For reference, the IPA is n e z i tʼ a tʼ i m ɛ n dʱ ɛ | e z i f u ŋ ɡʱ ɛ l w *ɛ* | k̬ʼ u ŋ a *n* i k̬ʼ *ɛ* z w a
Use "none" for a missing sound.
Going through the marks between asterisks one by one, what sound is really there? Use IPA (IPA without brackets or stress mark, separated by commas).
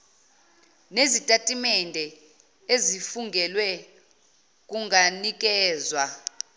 ɛ, n, ɛː